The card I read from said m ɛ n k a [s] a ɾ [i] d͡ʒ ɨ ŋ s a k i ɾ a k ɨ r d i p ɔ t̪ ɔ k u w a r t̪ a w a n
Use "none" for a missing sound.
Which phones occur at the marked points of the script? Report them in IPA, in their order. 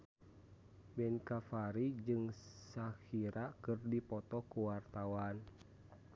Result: f, i

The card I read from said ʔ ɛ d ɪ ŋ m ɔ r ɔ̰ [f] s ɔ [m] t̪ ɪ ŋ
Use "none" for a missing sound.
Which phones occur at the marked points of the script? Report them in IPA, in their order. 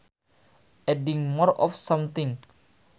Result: f, m

